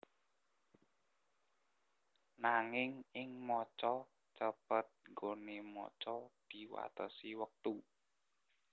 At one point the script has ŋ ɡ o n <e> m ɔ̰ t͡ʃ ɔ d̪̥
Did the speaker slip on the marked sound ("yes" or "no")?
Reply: no